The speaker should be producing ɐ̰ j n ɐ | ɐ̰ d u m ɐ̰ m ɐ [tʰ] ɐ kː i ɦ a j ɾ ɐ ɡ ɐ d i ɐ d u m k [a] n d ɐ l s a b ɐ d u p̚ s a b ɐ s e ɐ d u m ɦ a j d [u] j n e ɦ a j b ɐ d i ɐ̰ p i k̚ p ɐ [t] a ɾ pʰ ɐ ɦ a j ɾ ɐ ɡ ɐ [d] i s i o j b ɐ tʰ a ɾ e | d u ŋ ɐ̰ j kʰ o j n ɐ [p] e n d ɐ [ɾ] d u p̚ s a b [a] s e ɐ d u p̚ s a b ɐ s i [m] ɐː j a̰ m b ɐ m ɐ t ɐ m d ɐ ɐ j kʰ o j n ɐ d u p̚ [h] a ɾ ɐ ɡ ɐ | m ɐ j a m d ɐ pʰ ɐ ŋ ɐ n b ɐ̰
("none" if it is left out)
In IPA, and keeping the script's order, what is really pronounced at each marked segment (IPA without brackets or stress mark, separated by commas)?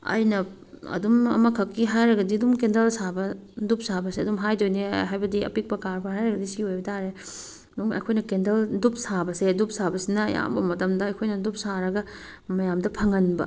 kʰ, e, o, k, d, k, l, ɐ, n, s